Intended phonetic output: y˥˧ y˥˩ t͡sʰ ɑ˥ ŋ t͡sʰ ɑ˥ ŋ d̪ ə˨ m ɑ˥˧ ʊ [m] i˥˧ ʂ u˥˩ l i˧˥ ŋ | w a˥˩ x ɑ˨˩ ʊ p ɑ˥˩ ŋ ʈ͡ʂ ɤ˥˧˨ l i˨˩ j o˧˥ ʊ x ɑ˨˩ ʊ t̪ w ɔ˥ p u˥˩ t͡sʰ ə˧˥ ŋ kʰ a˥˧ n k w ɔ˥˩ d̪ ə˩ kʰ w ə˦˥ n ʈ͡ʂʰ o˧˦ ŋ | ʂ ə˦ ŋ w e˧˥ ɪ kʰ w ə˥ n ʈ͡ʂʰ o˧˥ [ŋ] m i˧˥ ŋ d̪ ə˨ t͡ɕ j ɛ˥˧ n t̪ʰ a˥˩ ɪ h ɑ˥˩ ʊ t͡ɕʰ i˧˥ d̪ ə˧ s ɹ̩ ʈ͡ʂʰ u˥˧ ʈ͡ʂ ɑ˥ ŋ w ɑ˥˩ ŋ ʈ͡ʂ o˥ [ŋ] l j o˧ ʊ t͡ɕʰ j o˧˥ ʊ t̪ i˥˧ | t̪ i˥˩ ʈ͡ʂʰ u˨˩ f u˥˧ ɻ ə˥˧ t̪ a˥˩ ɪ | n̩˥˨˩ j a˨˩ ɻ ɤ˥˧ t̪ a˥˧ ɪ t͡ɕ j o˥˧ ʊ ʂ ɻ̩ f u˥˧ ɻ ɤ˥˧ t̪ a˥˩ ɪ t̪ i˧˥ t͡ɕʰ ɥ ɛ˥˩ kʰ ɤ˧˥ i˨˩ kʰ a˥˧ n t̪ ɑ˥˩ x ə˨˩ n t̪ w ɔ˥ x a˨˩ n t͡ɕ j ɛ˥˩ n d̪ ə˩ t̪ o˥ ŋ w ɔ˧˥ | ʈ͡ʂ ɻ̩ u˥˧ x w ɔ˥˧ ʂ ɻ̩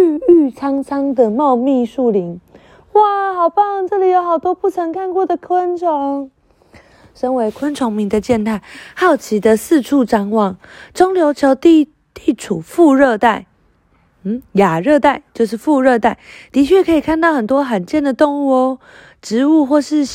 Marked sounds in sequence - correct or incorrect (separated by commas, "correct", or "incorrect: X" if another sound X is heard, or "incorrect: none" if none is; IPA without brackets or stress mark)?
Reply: correct, correct, correct